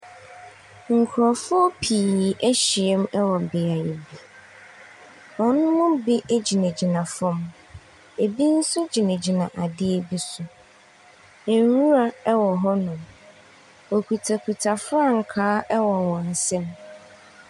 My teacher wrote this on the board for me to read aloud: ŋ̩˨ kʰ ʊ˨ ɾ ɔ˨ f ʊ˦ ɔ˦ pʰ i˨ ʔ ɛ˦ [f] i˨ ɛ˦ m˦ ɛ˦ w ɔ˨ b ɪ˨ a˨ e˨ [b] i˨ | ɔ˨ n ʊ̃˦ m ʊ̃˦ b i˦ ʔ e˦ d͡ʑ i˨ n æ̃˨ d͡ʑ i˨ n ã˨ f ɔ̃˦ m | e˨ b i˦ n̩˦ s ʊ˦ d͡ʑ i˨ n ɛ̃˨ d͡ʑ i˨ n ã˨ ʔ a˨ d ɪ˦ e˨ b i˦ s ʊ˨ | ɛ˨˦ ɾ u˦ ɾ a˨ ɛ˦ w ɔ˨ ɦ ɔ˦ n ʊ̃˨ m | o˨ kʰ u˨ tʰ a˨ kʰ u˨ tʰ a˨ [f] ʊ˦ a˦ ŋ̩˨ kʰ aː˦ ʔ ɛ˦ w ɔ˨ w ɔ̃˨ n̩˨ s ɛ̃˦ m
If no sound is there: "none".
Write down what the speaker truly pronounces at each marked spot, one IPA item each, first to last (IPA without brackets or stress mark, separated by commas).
ɕ, b, f